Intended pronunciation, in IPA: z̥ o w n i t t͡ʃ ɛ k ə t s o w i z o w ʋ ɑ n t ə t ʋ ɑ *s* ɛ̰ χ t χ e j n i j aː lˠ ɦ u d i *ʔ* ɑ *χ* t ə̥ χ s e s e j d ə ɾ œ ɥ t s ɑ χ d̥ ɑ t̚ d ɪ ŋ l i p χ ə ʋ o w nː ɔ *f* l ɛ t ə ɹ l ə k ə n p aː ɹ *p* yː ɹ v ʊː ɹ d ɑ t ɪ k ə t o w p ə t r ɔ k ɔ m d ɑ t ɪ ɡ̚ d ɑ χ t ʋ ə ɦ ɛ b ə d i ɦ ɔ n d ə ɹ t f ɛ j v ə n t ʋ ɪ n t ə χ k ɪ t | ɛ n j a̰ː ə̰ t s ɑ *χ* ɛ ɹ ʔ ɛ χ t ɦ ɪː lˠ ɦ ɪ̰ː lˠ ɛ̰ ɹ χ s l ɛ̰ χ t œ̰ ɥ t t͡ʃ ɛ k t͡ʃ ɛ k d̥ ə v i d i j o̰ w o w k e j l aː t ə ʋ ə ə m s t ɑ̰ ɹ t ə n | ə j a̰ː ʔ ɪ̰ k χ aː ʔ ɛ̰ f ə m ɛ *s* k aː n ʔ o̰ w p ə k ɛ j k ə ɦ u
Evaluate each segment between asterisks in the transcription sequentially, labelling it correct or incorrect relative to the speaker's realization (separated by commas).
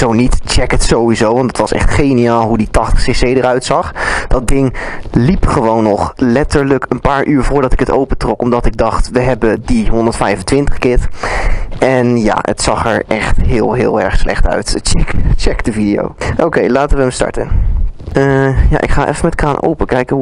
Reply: correct, incorrect, correct, incorrect, incorrect, correct, incorrect